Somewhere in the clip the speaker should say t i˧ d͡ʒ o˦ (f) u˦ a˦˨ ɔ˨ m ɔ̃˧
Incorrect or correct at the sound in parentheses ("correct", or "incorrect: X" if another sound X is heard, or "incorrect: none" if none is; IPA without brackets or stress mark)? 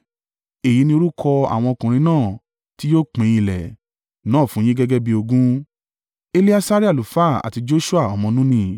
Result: incorrect: ʃ